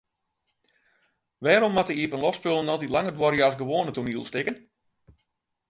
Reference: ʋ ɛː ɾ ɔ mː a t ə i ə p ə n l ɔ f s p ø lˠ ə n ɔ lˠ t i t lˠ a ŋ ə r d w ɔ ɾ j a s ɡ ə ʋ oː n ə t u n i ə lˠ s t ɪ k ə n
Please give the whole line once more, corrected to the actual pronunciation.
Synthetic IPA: ʋ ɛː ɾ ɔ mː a t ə i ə p ə n l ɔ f s p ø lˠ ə n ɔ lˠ t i t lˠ a ŋ ə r d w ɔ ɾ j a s ɡ ə ʋ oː n ə t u n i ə lˠ s t ɪ k ə n